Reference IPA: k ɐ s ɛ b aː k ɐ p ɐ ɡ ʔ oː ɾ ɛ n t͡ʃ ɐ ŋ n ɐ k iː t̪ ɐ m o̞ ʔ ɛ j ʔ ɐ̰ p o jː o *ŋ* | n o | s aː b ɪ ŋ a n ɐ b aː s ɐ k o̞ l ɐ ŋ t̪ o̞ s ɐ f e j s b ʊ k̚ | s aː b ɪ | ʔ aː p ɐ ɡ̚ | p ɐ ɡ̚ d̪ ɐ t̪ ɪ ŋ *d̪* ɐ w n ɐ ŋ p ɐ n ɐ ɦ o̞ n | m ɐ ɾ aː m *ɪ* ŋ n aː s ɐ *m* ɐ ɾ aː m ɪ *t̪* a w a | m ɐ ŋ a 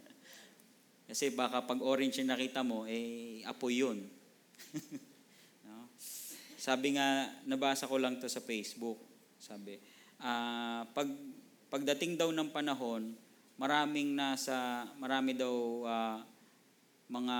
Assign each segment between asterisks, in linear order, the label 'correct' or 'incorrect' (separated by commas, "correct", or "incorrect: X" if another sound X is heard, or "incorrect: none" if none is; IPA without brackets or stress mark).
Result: incorrect: n, correct, correct, correct, incorrect: d̪